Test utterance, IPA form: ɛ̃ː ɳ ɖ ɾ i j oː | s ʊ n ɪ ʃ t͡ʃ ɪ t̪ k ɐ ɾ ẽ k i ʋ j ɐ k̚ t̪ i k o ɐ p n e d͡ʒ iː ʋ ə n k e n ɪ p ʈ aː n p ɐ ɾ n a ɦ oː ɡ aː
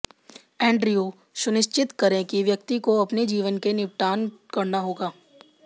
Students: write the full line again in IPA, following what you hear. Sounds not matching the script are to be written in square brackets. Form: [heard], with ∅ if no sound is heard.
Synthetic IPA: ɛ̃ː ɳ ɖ ɾ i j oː | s ʊ n ɪ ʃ t͡ʃ ɪ t̪ k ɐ ɾ ẽ k i ʋ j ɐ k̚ t̪ i k o ɐ p n e d͡ʒ iː ʋ ə n k e n ɪ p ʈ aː n [k] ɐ ɾ n a ɦ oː ɡ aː